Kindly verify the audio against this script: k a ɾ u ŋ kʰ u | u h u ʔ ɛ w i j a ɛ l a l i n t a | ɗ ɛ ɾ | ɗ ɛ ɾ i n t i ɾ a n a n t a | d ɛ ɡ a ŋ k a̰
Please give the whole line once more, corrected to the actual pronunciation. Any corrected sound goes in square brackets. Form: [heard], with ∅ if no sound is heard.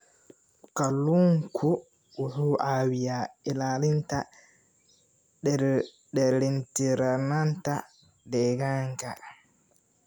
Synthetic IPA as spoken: k a [l] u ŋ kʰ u | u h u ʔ [a] w i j a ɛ l a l i n t a | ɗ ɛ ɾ | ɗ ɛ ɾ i n t i ɾ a n a n t a | d ɛ ɡ a ŋ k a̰